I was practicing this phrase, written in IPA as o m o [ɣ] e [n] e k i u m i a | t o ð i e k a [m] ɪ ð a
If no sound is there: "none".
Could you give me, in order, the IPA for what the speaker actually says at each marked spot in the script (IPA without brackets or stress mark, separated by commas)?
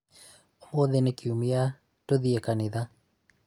ð, n, n